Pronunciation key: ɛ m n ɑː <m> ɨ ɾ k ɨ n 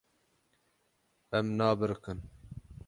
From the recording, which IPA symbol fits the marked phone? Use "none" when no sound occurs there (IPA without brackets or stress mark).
b